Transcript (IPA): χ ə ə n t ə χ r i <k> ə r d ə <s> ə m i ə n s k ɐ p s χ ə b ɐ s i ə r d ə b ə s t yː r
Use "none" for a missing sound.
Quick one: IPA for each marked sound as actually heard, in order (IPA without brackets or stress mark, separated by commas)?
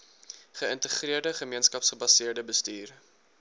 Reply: none, χ